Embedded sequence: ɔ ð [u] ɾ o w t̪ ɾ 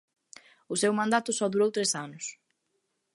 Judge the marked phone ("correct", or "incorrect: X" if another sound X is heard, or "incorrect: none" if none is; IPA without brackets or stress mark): correct